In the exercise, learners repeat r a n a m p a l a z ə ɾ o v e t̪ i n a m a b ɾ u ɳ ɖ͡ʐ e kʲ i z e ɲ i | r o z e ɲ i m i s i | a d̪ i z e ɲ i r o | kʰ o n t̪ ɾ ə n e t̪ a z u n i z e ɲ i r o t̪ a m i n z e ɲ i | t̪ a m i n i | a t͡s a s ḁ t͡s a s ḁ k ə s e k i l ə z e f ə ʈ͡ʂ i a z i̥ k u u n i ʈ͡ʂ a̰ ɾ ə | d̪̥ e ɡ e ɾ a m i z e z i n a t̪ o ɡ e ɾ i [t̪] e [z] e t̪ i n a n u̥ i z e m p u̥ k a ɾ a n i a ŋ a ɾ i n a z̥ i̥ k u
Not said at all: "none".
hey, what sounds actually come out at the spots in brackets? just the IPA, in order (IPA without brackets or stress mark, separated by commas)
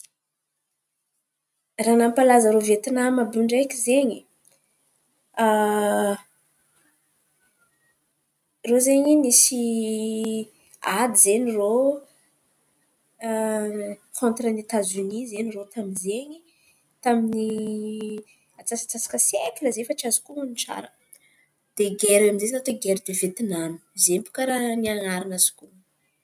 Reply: d̪, v